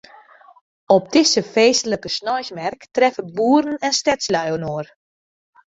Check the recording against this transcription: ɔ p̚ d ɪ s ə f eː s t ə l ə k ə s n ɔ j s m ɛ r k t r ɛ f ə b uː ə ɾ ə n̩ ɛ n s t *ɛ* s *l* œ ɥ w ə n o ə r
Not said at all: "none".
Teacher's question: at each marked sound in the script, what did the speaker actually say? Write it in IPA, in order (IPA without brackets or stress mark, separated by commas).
ɛ, l